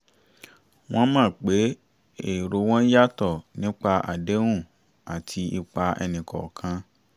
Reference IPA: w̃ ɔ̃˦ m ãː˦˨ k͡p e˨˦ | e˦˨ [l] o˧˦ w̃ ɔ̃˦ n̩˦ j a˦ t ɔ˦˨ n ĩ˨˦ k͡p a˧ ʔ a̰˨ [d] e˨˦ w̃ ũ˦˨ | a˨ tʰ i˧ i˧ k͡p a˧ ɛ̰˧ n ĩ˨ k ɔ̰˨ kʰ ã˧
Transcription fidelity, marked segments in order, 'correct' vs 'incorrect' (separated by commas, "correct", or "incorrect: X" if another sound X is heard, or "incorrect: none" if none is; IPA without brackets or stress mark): incorrect: ɾ, correct